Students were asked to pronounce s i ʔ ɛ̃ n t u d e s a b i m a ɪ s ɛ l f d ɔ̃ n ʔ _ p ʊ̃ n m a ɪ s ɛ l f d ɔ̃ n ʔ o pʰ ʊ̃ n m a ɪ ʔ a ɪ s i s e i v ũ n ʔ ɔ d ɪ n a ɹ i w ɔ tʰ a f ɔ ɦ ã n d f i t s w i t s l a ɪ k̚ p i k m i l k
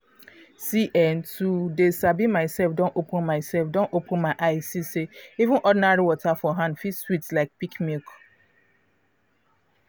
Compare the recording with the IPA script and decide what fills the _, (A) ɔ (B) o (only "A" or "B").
B